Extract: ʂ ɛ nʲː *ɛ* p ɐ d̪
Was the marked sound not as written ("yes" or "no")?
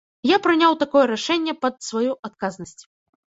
no